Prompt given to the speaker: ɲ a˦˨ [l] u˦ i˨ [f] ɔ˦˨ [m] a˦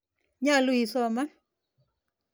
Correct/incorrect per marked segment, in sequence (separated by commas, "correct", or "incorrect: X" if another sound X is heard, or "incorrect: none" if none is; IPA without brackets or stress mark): correct, incorrect: s, correct